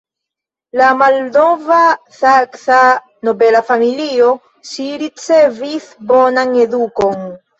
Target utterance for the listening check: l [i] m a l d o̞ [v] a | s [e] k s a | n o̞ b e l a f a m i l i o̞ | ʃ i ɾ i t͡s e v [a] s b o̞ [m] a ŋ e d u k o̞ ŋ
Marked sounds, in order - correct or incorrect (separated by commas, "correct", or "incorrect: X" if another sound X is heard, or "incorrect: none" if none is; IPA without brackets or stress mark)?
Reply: incorrect: a, correct, incorrect: a, incorrect: i, incorrect: n